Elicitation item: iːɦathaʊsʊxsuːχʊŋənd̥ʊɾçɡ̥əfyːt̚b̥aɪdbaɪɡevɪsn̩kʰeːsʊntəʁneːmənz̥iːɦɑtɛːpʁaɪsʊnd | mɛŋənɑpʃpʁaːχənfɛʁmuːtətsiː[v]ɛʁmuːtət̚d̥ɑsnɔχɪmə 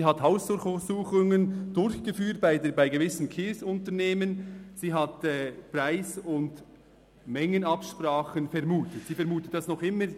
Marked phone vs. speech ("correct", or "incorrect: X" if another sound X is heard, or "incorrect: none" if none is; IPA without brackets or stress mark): incorrect: f